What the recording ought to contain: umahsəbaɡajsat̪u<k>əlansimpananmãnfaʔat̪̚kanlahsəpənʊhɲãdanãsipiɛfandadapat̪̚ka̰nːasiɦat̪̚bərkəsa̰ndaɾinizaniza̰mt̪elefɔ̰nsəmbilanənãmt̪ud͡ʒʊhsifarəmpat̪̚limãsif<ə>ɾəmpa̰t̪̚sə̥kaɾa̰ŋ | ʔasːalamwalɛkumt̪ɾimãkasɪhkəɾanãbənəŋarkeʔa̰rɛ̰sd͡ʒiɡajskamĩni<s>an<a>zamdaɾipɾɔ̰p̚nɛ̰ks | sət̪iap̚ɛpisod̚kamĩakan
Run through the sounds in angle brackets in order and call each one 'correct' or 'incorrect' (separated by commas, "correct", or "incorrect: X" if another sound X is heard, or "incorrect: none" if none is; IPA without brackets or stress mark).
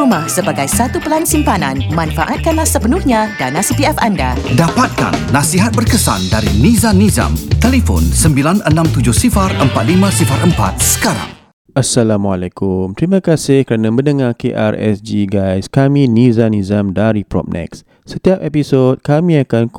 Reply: incorrect: p, incorrect: a, incorrect: z, incorrect: i